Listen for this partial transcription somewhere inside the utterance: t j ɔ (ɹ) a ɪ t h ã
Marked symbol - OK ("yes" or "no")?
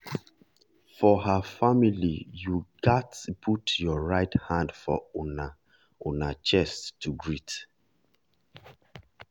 yes